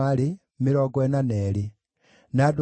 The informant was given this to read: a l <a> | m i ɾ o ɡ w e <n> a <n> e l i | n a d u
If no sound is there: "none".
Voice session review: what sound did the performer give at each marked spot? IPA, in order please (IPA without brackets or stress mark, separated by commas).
i, n, n